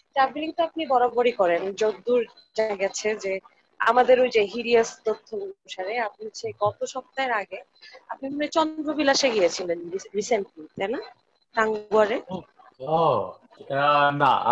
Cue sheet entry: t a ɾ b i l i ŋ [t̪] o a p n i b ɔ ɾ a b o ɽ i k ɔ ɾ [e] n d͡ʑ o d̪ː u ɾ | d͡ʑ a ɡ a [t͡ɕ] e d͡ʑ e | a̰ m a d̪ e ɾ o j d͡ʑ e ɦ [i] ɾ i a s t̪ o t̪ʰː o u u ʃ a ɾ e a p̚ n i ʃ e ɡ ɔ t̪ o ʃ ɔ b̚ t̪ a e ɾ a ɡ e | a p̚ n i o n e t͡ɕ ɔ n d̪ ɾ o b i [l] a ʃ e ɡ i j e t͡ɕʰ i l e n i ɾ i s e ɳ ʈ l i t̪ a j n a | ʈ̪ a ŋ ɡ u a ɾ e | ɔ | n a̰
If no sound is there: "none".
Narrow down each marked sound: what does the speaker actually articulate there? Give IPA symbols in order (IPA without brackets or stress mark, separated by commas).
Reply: t̪, e, t͡ɕʰ, i, l